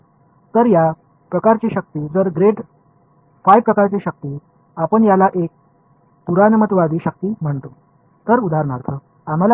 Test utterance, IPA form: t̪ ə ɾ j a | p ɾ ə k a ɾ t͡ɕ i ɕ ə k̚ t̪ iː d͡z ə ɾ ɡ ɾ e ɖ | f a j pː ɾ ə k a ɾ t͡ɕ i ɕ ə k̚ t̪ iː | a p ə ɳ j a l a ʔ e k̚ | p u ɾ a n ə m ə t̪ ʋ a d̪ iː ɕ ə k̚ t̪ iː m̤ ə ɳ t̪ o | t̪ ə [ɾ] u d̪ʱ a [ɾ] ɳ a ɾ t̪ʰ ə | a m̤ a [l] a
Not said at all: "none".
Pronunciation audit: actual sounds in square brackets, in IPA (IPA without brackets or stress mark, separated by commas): ɾ, ɾ, l